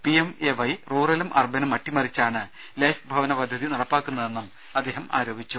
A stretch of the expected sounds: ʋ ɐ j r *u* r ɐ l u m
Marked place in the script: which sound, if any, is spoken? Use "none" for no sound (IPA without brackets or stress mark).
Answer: uː